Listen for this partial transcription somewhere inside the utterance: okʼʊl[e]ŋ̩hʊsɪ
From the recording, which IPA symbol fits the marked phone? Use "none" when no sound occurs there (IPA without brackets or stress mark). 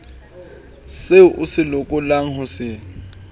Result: a